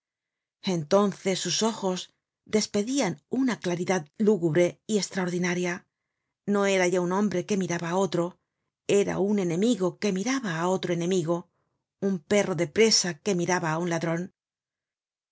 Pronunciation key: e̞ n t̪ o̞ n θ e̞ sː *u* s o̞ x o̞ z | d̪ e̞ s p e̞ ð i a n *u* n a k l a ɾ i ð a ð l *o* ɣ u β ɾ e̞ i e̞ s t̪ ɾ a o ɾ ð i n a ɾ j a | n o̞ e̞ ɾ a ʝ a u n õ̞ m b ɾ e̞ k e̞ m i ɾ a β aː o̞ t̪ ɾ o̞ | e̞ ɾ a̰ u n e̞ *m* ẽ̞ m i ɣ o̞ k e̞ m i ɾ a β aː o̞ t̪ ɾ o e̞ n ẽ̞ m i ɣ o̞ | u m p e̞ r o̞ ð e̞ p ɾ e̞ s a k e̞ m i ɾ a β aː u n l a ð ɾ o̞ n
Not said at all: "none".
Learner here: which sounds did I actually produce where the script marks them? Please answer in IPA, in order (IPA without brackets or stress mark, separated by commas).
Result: u, u, u, n